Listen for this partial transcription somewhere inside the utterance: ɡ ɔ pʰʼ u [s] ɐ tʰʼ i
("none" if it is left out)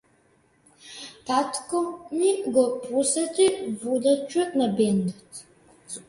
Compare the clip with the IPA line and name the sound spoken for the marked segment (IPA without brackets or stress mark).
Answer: s